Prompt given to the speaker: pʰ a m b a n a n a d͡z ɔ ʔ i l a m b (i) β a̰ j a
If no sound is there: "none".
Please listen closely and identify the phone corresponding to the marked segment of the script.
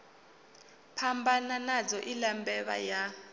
ɛ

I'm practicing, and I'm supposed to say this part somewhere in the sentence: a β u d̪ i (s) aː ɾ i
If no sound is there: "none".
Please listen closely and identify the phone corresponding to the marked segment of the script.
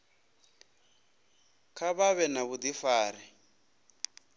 f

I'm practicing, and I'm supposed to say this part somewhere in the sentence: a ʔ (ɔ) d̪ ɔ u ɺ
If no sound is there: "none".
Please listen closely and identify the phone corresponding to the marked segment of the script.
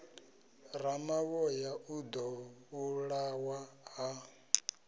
u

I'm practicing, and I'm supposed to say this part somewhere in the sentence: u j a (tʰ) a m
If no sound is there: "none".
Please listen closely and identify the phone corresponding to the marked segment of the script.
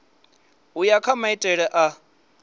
kʰ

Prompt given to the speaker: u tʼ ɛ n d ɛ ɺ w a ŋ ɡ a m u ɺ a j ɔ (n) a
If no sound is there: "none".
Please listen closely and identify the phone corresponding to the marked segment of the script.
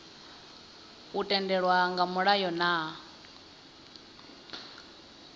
n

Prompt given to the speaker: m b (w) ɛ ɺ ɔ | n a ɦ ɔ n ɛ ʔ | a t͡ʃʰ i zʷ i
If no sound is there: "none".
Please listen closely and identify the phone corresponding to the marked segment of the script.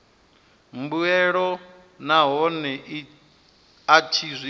u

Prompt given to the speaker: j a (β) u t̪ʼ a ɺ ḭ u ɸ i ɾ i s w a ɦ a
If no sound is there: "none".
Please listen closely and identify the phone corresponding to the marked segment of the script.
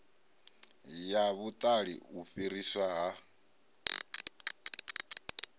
β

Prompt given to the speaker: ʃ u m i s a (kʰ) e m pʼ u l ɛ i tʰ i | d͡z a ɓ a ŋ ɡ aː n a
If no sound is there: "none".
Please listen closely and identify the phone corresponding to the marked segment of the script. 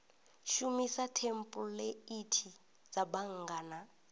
tʰ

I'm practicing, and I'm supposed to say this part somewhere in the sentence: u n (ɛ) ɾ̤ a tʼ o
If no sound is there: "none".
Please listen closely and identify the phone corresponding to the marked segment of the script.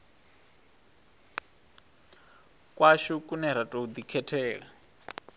ɛ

